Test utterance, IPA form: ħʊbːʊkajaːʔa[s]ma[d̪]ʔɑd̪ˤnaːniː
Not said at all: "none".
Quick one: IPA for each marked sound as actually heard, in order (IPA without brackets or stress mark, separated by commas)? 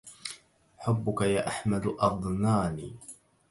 ħ, d̪